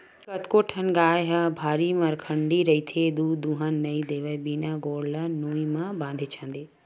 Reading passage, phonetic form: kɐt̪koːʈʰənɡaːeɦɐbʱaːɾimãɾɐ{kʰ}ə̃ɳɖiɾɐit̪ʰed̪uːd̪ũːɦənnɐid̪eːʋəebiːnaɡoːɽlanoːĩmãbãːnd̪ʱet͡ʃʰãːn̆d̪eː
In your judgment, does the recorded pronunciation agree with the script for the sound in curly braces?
yes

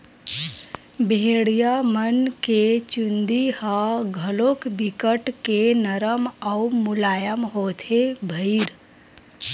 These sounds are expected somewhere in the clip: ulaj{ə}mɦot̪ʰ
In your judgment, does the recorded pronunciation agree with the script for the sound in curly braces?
yes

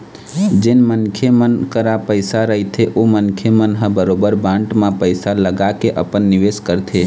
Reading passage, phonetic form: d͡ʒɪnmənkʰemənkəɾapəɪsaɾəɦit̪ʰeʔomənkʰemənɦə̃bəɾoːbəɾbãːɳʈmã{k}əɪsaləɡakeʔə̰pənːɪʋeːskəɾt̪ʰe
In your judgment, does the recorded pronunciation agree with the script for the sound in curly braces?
no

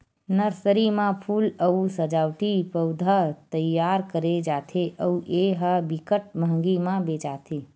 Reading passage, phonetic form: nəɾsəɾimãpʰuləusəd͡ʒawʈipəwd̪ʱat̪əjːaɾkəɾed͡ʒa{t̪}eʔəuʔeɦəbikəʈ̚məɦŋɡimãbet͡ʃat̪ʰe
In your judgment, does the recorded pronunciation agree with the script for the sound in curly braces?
no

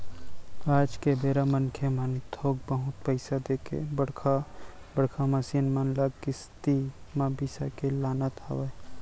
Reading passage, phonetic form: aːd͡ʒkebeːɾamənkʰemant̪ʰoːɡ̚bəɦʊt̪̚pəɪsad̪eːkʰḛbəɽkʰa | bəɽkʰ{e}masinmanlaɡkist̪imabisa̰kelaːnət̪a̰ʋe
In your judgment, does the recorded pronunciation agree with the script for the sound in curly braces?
no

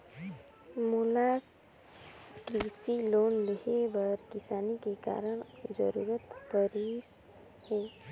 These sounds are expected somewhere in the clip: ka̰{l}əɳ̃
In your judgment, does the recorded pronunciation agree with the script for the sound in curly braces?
no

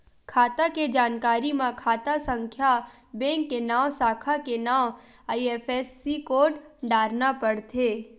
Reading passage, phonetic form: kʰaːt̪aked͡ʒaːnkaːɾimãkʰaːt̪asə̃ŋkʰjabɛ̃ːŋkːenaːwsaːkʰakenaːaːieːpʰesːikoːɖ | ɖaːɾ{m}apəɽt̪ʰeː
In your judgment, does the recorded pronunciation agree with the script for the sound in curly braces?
no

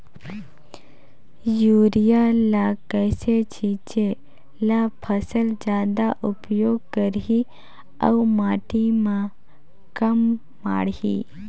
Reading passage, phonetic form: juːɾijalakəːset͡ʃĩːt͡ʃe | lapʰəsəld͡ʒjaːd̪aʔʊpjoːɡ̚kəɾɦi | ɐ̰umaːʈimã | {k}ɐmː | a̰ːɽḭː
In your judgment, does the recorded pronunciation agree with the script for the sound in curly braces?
yes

